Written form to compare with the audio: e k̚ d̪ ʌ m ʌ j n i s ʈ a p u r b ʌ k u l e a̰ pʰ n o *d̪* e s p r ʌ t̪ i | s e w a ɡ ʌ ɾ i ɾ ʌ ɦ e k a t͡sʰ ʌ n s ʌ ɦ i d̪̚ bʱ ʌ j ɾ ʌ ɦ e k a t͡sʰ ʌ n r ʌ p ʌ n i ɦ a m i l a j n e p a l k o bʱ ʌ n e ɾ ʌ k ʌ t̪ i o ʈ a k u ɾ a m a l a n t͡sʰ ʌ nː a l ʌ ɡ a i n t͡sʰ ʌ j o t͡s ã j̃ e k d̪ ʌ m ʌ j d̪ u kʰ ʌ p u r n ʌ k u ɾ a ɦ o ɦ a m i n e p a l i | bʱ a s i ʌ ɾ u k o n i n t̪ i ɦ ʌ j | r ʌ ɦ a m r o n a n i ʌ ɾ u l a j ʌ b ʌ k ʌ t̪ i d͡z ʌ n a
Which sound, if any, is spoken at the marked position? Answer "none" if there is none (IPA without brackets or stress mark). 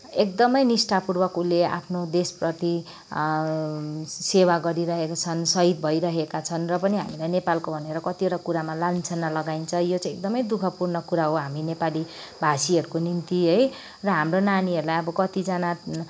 d̪